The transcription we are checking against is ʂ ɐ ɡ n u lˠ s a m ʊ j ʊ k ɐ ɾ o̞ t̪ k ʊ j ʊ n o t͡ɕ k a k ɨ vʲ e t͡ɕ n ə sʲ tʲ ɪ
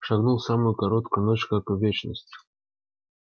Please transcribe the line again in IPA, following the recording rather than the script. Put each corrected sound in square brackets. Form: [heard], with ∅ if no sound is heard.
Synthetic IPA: ʂ ɐ ɡ n u lˠ s a m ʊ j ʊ k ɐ ɾ o̞ t̪ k ʊ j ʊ n o t͡ɕ k a k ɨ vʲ e t͡ɕ n ə sʲ tʲ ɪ